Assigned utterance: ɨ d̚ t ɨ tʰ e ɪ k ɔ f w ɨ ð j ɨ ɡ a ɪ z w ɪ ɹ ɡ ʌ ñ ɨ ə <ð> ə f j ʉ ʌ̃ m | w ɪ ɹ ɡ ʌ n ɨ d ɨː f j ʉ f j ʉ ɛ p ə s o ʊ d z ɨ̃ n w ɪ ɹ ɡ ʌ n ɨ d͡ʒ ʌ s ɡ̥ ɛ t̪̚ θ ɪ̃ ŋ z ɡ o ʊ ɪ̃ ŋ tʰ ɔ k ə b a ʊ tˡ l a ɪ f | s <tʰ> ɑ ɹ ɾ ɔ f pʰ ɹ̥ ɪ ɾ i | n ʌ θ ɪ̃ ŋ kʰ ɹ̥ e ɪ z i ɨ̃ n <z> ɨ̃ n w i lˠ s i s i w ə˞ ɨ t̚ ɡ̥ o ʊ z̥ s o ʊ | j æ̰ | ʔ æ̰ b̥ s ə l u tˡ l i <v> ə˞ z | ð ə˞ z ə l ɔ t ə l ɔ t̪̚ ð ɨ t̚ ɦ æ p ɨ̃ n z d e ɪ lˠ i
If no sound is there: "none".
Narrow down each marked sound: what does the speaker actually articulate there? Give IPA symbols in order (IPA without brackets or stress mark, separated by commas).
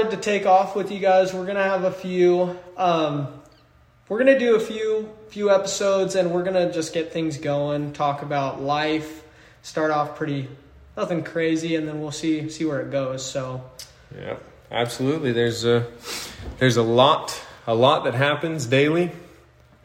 v, t, ð, ð